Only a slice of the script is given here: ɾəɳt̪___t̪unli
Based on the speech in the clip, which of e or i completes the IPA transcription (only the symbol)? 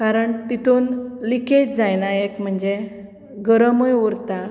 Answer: i